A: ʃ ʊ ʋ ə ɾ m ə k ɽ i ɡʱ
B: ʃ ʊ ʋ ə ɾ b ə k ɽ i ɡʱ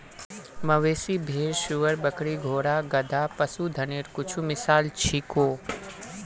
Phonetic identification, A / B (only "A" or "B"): B